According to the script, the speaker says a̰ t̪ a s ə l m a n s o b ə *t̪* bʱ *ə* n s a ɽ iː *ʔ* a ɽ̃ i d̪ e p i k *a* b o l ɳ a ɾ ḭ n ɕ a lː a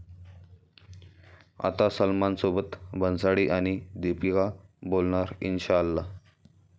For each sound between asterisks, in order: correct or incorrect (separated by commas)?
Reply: correct, correct, correct, correct